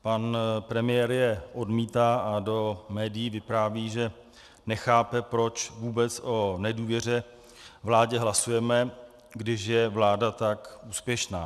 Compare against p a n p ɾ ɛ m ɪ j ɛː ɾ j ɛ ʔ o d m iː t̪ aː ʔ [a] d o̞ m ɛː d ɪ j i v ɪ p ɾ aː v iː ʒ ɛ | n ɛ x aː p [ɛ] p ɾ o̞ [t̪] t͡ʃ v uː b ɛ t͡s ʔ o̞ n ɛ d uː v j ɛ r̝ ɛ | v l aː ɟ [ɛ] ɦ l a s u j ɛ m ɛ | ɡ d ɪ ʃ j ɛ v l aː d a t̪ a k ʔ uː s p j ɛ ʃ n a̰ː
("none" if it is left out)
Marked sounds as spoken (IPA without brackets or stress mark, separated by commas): a, ɛ, none, ɛ